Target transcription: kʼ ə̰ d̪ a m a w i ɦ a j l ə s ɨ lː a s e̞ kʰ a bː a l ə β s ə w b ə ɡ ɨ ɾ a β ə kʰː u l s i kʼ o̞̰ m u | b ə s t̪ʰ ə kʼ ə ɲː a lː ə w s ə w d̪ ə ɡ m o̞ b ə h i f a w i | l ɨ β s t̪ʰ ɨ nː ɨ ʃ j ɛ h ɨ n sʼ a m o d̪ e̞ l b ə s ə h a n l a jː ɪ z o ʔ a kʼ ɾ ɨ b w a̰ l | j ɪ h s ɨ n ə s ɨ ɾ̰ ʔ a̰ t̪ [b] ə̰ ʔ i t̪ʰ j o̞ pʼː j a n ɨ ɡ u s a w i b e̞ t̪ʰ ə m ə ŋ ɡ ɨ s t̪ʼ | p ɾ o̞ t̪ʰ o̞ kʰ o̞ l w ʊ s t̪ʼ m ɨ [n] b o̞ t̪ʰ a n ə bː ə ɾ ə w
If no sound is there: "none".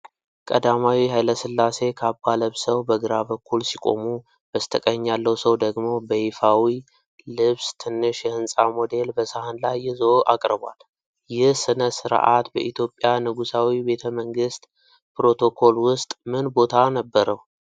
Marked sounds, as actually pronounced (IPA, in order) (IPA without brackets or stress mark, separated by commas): b, n